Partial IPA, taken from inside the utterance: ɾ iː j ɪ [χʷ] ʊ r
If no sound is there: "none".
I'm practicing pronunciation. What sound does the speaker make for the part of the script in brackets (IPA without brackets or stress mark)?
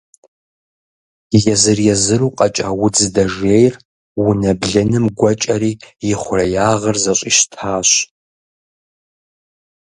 χʷ